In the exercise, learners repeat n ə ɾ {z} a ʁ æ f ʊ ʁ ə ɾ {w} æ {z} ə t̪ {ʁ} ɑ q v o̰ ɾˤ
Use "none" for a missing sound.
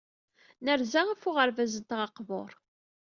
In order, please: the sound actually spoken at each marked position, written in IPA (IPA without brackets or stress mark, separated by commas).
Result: z, v, z, ʁ